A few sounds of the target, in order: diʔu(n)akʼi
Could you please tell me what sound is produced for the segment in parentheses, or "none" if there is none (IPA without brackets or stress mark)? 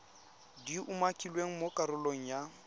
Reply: m